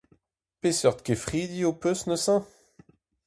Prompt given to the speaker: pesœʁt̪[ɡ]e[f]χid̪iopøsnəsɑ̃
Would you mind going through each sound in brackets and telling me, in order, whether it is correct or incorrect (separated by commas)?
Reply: incorrect, correct